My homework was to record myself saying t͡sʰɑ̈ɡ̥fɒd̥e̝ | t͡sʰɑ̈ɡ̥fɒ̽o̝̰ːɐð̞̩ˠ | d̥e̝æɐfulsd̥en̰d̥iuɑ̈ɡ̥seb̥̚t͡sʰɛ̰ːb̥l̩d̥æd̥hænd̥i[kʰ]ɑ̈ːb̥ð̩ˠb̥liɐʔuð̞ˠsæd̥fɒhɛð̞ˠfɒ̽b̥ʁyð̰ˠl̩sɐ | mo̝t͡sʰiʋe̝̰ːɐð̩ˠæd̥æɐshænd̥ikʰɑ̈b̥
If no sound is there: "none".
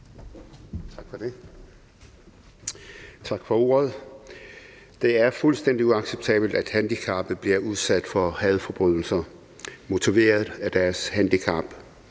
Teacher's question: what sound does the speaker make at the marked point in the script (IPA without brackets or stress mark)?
kʰ